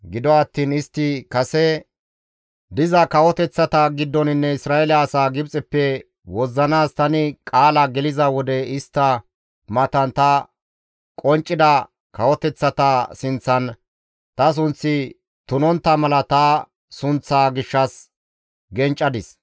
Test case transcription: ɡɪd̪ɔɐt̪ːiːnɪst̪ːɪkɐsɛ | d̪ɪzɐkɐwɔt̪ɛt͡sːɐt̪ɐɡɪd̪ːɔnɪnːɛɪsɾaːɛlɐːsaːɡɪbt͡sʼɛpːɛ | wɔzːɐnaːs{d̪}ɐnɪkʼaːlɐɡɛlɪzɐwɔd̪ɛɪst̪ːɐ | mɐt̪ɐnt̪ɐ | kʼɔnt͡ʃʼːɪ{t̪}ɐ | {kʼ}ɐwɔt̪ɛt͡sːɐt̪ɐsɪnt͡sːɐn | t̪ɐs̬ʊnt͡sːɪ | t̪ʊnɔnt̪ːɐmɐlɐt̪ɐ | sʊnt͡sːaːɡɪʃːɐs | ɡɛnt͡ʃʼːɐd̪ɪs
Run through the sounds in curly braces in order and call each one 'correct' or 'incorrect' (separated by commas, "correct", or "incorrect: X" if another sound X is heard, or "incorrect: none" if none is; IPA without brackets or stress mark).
incorrect: t̪, incorrect: d̪, incorrect: k